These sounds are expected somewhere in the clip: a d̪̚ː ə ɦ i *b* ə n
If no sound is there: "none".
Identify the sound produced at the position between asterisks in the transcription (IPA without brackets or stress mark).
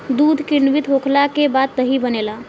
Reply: b